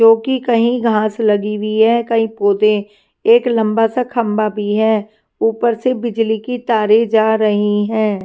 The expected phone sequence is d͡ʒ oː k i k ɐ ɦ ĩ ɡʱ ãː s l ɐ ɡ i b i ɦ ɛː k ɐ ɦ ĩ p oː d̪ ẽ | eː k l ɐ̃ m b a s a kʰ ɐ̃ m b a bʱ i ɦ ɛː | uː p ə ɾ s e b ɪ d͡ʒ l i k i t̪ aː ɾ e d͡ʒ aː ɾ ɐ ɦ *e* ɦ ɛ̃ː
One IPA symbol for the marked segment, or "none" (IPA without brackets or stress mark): i